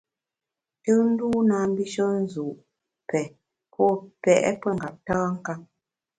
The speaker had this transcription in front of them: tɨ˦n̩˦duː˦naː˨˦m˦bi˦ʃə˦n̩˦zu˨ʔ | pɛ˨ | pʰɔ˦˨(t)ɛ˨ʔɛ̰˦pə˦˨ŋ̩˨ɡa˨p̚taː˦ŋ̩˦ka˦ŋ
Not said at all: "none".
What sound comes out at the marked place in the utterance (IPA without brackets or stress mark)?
p